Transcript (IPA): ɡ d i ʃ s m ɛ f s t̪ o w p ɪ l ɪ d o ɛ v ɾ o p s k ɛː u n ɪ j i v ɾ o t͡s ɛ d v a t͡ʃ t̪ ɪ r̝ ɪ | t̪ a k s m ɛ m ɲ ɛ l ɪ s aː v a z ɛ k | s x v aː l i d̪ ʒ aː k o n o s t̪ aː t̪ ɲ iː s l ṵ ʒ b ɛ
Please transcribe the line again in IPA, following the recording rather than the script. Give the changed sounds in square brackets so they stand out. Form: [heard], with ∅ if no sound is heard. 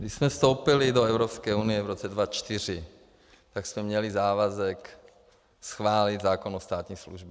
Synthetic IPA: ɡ d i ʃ s m ɛ f s t̪ o w p ɪ l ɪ d o ɛ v ɾ o p s k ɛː u n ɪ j [ɛ] v ɾ o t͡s ɛ d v a t͡ʃ t̪ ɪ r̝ ɪ | t̪ a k s m ɛ m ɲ ɛ l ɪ [z] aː v a z ɛ k | s x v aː l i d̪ [z] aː k o n o s t̪ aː t̪ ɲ iː s l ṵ ʒ b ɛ